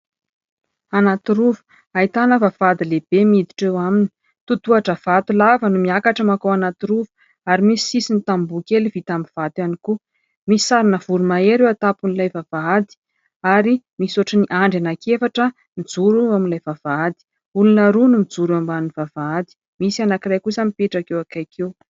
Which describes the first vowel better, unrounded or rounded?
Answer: unrounded